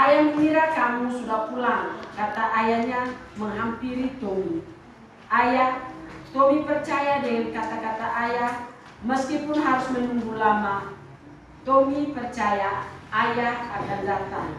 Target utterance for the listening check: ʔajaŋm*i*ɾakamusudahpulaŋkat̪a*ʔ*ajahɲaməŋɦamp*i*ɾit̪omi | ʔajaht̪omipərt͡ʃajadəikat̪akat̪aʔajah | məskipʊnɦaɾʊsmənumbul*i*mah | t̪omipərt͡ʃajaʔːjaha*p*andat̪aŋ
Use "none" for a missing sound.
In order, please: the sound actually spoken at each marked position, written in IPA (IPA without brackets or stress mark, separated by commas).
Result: i, ʔ, i, a, k